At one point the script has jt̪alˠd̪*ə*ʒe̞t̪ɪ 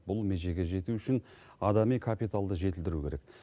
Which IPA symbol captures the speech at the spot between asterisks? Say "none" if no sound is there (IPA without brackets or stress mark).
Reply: ə